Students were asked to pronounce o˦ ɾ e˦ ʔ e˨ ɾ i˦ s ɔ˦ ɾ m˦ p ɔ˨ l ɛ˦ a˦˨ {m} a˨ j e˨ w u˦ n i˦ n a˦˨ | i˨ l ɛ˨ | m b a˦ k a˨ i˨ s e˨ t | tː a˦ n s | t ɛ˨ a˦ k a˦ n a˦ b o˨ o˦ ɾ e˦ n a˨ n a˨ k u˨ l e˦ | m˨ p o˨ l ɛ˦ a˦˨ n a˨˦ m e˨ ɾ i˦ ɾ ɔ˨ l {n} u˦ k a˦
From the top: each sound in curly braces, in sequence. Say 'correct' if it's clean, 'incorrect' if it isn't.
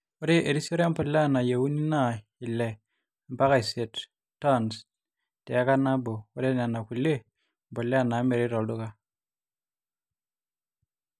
incorrect: n, incorrect: d

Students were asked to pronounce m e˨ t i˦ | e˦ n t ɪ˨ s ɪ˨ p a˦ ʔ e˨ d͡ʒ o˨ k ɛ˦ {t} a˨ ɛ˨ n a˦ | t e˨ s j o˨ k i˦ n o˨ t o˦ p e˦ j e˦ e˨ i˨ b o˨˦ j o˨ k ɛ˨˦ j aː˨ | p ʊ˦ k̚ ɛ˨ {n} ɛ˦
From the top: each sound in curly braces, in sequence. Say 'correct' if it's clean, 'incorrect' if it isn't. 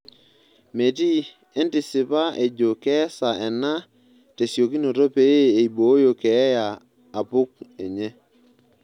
incorrect: s, incorrect: ɲ

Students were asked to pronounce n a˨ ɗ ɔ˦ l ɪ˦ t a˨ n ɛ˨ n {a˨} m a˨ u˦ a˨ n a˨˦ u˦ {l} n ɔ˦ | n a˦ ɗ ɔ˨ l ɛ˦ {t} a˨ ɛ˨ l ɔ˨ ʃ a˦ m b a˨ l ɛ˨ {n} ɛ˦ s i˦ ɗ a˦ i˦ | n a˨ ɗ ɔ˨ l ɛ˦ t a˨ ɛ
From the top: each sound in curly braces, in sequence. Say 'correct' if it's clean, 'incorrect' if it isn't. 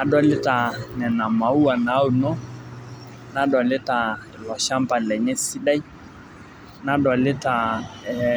correct, incorrect: none, correct, incorrect: ɲ

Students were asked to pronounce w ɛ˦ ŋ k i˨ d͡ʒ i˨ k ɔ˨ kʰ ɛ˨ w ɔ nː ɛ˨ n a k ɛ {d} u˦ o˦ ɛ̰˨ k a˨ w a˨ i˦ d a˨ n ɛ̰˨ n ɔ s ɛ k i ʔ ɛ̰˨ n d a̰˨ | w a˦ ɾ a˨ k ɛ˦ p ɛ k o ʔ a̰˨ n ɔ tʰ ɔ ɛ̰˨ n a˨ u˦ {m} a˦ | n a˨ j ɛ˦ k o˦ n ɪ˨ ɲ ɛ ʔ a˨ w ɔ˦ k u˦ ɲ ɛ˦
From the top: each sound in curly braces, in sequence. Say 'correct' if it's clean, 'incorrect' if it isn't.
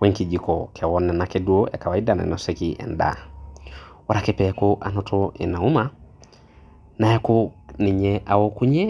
correct, correct

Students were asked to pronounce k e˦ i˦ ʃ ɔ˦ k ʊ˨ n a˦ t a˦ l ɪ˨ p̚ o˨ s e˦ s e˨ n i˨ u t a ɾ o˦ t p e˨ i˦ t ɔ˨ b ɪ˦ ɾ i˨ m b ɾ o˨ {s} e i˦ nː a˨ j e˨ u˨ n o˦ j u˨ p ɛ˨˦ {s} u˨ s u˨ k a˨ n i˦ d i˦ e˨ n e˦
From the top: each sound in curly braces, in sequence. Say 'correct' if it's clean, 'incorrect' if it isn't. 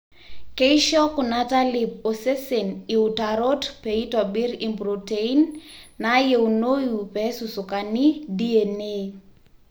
incorrect: t, correct

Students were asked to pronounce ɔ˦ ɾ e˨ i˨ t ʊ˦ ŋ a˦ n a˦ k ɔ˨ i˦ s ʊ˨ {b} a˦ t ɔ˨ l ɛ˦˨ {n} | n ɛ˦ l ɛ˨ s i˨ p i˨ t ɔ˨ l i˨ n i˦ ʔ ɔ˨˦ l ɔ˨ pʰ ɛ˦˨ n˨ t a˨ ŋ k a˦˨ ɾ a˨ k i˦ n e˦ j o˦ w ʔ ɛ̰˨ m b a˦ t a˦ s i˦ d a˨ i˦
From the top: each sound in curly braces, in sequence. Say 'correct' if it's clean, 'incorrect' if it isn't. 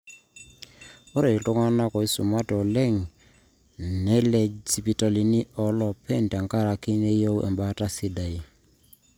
incorrect: m, incorrect: ŋ

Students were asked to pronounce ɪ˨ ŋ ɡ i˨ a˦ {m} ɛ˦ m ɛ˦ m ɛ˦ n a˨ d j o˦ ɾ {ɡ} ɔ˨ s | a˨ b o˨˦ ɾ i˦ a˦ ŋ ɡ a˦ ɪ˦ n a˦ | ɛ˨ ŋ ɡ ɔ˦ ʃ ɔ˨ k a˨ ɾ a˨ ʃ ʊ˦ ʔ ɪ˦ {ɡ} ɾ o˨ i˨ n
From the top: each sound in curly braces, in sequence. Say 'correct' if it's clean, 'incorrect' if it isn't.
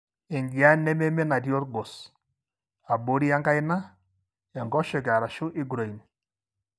incorrect: n, correct, correct

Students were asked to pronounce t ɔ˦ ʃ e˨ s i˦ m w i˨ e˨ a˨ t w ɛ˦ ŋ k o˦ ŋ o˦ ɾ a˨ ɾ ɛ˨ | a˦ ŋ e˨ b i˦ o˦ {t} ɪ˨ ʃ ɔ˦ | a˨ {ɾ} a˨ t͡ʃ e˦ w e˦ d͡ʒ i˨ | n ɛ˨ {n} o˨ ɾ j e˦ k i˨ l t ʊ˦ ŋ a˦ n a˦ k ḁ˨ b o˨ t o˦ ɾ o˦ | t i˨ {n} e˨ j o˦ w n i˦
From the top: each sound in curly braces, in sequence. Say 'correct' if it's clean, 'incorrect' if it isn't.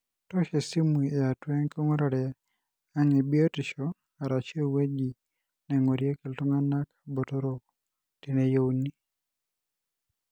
correct, correct, incorrect: ŋ, correct

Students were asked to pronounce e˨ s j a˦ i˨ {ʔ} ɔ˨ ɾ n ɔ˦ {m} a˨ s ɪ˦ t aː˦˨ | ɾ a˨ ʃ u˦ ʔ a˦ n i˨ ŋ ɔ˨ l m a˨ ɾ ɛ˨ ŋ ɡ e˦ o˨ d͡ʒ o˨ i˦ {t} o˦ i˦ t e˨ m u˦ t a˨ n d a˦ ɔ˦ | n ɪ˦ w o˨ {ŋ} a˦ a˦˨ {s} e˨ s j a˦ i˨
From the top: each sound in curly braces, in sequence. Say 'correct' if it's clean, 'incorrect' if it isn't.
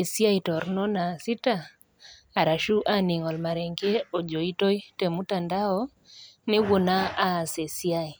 incorrect: t, incorrect: n, correct, incorrect: n, correct

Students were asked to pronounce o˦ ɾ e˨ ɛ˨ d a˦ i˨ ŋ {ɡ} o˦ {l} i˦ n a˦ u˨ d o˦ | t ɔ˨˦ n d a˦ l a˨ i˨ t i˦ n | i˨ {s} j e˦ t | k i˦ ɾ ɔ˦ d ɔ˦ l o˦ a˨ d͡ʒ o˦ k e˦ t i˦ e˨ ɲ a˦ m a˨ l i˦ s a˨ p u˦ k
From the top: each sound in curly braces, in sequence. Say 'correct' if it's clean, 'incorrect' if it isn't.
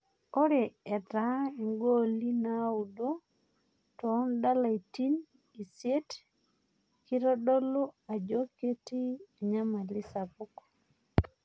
correct, correct, correct

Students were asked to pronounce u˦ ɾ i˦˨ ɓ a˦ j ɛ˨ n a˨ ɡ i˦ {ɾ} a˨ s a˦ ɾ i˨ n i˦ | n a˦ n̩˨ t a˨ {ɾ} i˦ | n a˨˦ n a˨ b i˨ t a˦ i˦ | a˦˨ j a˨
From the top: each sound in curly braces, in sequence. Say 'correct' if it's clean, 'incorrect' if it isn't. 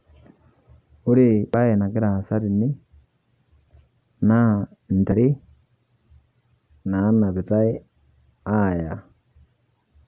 correct, correct

